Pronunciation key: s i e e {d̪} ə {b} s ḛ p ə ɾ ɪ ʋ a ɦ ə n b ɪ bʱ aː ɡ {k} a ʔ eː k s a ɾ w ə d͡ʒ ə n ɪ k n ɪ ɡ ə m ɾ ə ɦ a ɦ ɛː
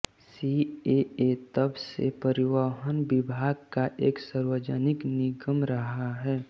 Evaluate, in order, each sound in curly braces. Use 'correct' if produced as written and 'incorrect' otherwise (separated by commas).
incorrect, correct, correct